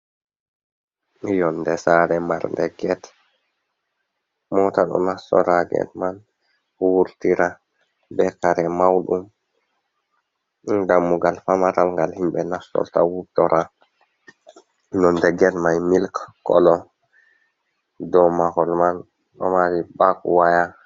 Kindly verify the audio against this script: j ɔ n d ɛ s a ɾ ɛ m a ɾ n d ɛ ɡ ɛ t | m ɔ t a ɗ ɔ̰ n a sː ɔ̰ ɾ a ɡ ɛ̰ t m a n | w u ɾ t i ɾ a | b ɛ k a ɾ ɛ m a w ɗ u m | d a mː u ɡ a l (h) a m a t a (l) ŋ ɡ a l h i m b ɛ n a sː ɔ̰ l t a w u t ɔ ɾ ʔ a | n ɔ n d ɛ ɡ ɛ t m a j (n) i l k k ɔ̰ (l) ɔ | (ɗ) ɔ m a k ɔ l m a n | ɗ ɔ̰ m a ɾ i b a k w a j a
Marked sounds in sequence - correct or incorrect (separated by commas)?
incorrect, correct, incorrect, correct, incorrect